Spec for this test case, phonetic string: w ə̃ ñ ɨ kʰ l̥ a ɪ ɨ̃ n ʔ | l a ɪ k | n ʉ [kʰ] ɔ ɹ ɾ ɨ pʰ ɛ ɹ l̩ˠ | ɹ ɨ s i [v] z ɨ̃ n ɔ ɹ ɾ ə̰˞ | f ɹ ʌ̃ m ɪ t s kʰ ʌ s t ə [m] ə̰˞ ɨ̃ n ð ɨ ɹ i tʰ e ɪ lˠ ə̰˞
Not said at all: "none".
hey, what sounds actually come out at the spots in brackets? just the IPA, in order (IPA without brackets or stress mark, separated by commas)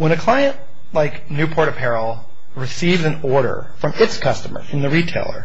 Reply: pʰ, v, m